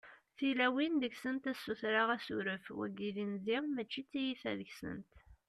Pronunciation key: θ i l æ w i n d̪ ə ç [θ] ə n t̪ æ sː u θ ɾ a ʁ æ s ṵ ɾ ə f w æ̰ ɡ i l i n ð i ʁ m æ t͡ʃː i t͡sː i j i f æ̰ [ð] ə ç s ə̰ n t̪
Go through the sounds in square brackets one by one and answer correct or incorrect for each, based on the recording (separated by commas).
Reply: incorrect, correct